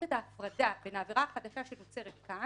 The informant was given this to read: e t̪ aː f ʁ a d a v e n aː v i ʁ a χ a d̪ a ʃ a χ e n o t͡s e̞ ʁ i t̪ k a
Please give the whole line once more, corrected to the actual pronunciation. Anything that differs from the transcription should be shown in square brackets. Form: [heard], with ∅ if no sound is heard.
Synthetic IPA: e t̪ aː f ʁ a d a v e n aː v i ʁ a χ a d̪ a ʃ a [ʃ] e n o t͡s e̞ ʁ [e] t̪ k a